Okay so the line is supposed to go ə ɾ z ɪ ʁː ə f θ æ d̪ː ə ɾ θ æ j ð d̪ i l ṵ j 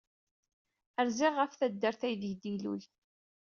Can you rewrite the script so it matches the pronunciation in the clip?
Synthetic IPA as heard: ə ɾ z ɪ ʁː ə f θ æ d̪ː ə ɾ θ æ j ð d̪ i l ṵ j